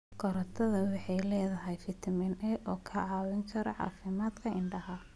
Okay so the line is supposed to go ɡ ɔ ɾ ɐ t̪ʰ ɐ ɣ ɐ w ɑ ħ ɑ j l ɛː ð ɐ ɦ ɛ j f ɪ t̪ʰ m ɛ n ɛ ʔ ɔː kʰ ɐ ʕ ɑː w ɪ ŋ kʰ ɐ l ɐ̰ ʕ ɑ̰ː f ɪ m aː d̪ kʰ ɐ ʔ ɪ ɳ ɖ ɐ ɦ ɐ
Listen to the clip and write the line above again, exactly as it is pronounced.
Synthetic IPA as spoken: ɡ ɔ ɾ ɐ t̪ʰ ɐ ð ɐ w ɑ ħ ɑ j l ɛː ð ɐ ɦ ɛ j f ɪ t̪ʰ m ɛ n ɛ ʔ ɔː kʰ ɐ ʕ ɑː w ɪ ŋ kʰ ɐ ɾ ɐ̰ ʕ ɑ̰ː f ɪ m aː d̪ kʰ ɐ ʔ ɪ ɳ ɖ ɐ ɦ ɐ